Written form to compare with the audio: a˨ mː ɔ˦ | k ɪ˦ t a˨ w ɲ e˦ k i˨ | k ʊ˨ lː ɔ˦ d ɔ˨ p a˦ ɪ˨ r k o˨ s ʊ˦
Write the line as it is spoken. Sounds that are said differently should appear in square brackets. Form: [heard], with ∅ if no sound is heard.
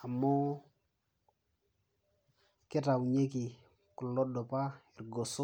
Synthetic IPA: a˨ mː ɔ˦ | k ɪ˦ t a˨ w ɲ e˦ k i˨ | k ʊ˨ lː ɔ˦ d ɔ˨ p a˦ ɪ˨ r [ɡ] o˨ s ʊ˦